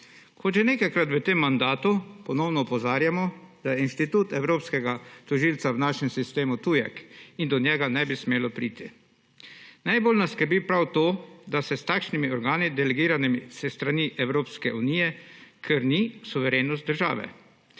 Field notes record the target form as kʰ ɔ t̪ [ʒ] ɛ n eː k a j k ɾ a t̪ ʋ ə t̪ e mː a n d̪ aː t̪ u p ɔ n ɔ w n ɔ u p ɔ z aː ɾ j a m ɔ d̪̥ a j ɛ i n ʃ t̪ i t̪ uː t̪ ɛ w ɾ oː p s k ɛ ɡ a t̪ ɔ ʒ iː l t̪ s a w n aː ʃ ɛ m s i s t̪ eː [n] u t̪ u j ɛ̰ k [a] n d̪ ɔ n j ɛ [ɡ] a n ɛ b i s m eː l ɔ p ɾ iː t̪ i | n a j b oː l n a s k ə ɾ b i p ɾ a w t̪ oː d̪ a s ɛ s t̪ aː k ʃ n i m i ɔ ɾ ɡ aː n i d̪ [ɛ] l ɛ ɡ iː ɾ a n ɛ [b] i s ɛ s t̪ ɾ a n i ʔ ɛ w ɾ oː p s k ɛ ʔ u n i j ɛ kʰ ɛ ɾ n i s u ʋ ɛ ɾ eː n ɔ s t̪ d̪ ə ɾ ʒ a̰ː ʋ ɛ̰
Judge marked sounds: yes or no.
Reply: yes, no, no, yes, yes, no

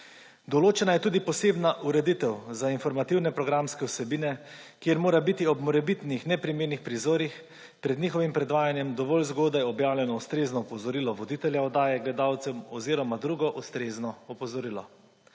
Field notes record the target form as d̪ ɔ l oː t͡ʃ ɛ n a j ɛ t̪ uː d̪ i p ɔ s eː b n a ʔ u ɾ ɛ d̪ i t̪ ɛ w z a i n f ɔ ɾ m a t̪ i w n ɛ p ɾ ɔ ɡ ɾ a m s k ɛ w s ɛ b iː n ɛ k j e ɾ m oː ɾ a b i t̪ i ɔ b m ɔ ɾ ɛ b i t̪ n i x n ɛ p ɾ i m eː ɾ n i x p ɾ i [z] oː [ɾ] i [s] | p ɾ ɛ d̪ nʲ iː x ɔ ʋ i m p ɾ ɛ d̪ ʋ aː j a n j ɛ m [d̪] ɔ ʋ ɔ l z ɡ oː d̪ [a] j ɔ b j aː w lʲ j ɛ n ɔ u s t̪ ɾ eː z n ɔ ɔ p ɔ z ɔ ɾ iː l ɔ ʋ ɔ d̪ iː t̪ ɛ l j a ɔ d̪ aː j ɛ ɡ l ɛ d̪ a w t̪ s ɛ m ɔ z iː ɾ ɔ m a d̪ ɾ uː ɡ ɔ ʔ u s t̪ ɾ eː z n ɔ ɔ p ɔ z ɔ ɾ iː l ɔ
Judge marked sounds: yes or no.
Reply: yes, yes, no, yes, yes

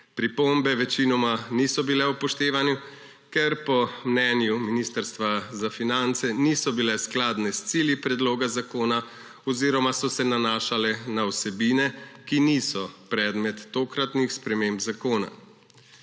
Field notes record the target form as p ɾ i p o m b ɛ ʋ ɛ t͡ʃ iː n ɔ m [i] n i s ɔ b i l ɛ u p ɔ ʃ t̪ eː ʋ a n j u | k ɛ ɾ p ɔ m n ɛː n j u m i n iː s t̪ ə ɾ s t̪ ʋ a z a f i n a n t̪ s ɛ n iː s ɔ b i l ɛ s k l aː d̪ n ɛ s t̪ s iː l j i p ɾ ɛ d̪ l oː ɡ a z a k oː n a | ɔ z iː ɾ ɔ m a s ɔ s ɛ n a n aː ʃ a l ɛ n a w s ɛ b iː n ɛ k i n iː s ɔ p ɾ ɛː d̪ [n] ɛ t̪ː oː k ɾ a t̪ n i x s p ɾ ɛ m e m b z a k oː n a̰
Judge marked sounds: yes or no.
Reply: no, no

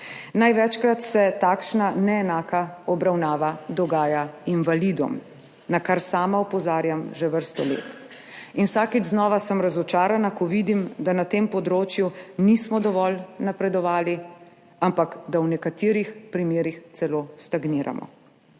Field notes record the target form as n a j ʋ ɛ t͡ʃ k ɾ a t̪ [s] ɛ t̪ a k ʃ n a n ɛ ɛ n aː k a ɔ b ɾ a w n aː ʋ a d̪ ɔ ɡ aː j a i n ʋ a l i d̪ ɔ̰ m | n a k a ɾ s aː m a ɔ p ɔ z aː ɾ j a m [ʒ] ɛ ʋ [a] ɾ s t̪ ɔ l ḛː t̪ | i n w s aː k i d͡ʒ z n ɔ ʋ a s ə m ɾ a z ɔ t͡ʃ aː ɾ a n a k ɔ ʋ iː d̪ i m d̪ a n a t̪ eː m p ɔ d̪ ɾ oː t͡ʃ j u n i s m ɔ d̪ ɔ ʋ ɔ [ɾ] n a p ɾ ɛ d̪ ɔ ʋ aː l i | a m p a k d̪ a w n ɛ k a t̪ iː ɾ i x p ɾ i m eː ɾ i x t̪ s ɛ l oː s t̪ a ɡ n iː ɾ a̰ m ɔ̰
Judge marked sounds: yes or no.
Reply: yes, yes, no, no

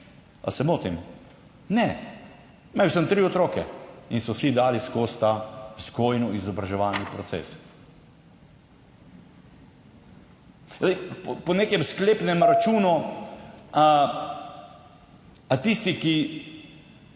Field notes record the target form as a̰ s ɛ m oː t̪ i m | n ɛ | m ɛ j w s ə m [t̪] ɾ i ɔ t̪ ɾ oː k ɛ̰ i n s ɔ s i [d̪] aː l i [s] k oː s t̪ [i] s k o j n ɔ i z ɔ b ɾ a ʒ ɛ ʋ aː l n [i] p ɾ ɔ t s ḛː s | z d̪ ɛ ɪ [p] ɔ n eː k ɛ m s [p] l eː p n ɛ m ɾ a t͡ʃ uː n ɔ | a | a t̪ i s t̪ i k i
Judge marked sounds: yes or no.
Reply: yes, yes, yes, no, yes, yes, no

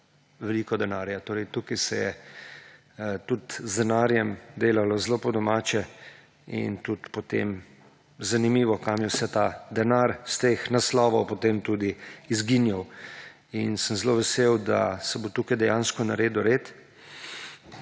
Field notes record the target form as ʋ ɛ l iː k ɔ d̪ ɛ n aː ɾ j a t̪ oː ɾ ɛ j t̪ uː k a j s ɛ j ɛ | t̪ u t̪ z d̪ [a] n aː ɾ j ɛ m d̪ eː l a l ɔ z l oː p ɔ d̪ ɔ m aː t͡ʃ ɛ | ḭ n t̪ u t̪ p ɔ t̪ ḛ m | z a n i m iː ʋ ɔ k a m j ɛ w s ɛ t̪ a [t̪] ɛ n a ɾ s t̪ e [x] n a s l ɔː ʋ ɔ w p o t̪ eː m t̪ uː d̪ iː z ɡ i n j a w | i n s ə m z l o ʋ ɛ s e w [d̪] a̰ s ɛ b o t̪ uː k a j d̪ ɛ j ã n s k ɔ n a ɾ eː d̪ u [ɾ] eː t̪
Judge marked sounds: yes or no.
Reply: no, no, yes, yes, yes

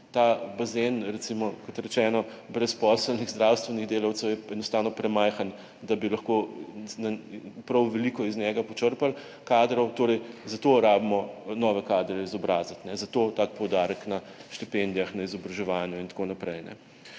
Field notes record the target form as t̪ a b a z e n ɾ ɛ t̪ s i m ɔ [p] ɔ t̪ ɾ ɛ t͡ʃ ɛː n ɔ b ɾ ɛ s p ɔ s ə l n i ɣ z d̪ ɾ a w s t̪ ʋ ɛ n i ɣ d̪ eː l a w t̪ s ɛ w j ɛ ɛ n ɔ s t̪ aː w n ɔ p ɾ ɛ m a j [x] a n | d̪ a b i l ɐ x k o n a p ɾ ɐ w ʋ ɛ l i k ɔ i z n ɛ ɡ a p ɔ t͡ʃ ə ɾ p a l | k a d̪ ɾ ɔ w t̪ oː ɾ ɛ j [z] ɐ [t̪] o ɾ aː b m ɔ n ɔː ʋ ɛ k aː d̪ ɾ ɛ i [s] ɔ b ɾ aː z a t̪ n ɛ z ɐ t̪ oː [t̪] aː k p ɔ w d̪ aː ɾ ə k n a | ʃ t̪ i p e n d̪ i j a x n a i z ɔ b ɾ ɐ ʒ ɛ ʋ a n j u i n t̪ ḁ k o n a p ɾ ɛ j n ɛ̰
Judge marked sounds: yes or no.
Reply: no, yes, yes, yes, no, yes

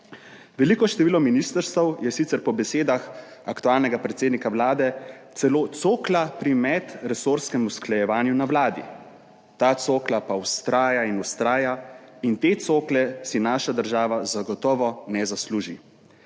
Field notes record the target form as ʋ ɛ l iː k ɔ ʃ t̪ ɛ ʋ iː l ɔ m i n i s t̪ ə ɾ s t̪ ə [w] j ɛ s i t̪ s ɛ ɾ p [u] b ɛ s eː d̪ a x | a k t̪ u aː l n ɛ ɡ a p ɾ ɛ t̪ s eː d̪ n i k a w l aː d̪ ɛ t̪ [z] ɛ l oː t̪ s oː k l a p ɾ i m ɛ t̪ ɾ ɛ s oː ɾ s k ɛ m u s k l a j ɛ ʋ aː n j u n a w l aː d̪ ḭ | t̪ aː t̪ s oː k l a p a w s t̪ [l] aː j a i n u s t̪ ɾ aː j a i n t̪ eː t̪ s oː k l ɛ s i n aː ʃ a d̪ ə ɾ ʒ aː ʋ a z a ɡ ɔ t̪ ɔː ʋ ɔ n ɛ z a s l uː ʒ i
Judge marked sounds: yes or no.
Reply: yes, no, no, no

